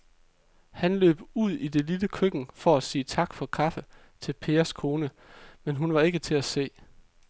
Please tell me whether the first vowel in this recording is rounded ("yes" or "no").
no